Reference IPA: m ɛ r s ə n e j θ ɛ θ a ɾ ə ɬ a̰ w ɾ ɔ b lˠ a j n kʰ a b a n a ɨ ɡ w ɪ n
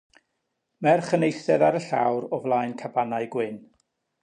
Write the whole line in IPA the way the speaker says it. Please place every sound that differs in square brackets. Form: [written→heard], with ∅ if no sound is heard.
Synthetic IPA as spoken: m ɛ r [s→χ] ə n e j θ ɛ [θ→ð] a ɾ ə ɬ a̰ w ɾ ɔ [b→v] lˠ a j n kʰ a b a n a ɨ ɡ w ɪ n